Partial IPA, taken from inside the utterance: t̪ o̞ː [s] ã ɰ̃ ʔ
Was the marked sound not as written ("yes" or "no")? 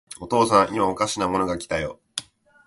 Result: no